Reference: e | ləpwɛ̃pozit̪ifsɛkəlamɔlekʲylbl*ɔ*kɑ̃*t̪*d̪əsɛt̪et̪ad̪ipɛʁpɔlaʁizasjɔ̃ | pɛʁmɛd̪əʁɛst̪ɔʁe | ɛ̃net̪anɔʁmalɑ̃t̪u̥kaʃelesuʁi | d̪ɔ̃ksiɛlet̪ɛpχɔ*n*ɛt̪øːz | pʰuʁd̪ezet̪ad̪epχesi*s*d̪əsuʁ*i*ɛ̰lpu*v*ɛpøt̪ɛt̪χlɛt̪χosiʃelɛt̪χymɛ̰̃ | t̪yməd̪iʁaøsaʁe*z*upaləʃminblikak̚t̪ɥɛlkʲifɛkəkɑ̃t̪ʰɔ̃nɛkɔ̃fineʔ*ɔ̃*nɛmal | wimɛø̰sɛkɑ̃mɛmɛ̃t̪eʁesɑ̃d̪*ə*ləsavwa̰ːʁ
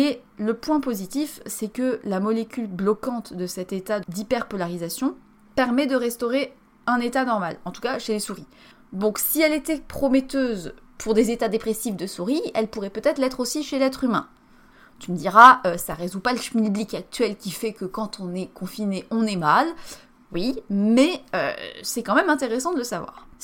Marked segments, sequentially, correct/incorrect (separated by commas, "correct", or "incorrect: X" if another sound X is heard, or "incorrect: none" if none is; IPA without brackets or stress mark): correct, correct, incorrect: m, incorrect: f, correct, incorrect: ʁ, correct, correct, correct